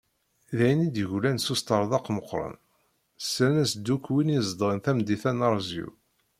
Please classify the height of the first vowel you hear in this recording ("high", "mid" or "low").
low